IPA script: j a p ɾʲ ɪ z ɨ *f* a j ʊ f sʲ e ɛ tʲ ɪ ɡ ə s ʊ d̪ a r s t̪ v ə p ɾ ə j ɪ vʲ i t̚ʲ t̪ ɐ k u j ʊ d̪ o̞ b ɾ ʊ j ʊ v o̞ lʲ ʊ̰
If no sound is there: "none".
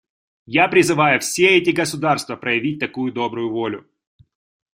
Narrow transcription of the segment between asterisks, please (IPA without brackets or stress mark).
v